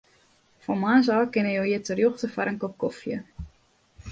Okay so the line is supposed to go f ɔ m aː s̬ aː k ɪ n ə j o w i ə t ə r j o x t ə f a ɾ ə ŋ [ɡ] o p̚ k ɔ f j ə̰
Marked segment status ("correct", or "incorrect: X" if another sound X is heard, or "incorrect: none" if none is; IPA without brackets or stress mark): incorrect: k